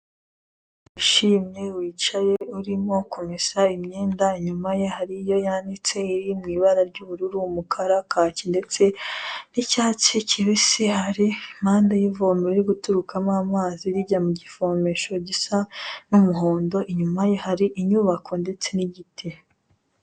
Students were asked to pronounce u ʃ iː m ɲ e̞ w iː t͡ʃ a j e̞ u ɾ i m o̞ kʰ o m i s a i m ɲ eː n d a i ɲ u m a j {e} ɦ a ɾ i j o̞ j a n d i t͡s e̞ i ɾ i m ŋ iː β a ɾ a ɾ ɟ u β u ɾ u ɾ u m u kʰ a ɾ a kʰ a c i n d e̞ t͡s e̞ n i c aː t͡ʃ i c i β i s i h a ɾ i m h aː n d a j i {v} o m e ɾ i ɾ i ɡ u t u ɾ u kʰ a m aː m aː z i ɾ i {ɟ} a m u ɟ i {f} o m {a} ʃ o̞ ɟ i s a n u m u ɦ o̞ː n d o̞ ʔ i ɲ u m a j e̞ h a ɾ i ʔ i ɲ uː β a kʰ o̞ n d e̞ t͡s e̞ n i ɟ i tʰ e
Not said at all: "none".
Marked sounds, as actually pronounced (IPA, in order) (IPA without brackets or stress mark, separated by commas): e, v, ɟ, f, e